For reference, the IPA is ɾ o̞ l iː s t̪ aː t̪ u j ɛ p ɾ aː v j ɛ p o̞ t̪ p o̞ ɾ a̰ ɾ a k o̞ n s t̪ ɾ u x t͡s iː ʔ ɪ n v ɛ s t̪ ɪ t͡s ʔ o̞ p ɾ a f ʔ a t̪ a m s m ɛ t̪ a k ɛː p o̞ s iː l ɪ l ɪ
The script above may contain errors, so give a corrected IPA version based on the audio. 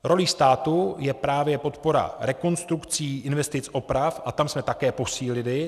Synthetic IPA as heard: ɾ o̞ l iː s t̪ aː t̪ u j ɛ p ɾ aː v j ɛ p o̞ t̪ p o̞ ɾ a̰ ɾ ɛ k o̞ n s t̪ ɾ u k t͡s iː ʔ ɪ n v ɛ s t̪ ɪ t͡s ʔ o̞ p ɾ a f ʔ a t̪ a m s m ɛ t̪ a k ɛː p o̞ s iː l ɪ l ɪ